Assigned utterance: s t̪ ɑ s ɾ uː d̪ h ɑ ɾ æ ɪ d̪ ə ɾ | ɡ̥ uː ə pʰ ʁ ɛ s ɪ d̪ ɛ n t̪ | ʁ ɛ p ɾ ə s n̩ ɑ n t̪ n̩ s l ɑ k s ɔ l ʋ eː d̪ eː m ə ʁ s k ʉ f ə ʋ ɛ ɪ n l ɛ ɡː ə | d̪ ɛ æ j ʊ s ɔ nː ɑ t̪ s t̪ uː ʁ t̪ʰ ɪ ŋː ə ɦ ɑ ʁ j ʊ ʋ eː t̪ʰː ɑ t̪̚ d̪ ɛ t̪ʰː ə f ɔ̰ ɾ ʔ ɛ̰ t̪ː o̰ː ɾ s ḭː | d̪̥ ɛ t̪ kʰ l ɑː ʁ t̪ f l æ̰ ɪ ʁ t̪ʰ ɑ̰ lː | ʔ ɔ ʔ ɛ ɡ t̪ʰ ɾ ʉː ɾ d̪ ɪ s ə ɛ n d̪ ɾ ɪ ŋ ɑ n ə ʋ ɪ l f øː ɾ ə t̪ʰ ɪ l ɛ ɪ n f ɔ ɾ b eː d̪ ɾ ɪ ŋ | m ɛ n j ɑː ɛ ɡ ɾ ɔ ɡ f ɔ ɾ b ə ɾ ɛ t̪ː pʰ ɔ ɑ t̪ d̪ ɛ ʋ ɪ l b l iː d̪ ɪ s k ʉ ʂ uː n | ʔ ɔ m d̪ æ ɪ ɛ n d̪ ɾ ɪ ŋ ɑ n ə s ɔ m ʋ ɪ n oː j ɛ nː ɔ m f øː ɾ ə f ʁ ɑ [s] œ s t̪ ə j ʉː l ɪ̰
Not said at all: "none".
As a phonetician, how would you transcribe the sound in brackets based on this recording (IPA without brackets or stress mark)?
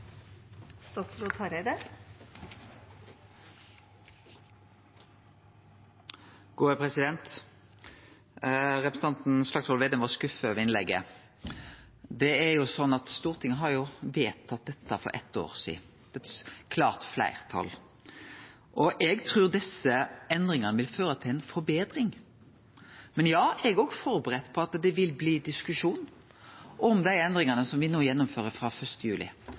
f